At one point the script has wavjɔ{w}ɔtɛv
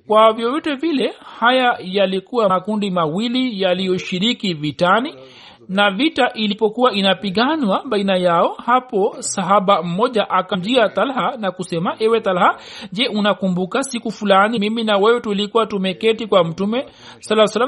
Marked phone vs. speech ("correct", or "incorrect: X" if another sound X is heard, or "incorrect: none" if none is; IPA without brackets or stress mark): incorrect: v